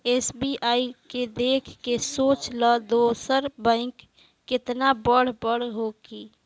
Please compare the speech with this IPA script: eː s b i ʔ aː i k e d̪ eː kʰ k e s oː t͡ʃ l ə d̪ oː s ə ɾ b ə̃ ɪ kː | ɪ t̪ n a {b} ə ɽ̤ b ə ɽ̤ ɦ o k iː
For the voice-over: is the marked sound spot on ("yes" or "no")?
yes